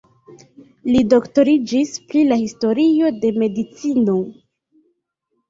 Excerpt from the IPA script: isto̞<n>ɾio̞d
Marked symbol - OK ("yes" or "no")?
no